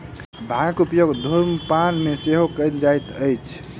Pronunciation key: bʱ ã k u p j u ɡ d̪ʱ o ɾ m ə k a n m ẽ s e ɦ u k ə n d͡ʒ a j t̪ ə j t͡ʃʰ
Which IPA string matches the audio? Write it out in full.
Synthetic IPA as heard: bʱ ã k u p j o ɡ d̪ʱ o ɾ m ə p a n m e s e ɦ o k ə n d͡ʒ a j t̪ ə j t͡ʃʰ